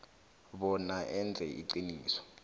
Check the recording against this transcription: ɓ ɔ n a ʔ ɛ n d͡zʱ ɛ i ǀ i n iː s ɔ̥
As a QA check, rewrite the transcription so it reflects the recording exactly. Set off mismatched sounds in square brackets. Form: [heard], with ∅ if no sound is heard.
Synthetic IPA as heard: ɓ ɔ n a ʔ ɛ n d͡zʱ ɛ i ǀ i n iː s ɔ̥